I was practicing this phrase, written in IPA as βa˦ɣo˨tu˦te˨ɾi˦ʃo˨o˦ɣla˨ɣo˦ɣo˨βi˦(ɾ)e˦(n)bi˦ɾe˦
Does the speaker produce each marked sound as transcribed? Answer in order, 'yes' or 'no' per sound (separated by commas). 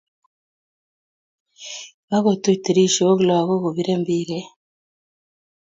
yes, no